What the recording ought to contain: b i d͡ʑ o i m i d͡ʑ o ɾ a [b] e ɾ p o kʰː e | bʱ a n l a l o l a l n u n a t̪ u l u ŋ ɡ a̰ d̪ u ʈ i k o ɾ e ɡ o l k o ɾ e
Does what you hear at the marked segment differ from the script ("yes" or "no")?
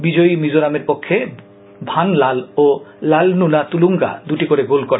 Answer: yes